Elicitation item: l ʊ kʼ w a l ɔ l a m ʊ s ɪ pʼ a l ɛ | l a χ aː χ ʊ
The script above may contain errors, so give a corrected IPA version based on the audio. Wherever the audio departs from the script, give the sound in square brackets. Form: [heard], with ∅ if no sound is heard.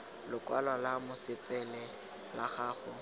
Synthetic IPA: l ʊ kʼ w a l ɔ l a m ʊ s ɪ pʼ [ɛ] l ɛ | l a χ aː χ ʊ